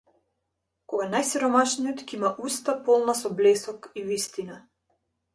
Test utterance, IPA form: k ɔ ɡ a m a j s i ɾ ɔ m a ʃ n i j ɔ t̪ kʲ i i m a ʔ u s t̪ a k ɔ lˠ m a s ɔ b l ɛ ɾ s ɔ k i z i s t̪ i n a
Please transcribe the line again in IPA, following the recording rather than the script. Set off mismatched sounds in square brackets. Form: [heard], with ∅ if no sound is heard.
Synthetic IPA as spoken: k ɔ ɡ a [n] a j s i ɾ ɔ m a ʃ n i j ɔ t̪ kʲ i i m a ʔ u s t̪ a [p] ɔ lˠ [n] a s ɔ b l ɛ [∅] s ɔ k i [v] i s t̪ i n a